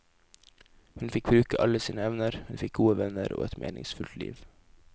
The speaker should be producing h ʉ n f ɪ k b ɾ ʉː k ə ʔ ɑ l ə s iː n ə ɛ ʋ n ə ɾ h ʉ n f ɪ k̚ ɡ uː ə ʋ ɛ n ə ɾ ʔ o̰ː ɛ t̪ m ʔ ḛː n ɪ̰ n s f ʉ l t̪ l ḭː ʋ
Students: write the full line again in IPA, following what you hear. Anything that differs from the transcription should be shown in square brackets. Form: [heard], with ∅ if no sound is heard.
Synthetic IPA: h ʉ n f ɪ k b ɾ ʉː k ə ʔ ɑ l ə s iː n ə ɛ ʋ n ə ɾ h ʉ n f ɪ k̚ ɡ uː ə ʋ ɛ n ə ɾ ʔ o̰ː ɛ t̪ m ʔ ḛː n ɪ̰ [ŋ] s f ʉ l t̪ l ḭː ʋ